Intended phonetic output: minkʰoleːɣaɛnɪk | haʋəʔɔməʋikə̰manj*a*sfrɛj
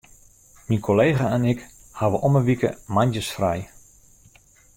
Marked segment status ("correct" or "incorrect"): incorrect